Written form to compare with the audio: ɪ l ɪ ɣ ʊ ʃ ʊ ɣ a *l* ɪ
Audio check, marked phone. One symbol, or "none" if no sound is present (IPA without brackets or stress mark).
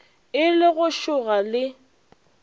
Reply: l